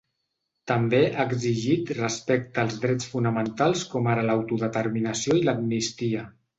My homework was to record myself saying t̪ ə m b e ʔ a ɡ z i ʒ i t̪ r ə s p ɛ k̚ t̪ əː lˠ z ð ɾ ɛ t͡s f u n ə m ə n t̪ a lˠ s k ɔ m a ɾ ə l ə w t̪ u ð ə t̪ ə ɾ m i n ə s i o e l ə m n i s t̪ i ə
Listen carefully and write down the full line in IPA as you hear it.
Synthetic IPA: t̪ ə m b e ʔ a ɡ z i ʒ i t̪ r ə s p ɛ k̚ t̪ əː lˠ z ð ɾ ɛ t͡s f u n ə m ə n t̪ a lˠ s k ɔ m a ɾ ə l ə w t̪ u ð ə t̪ ə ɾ m i n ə s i o i l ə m n i s t̪ i ə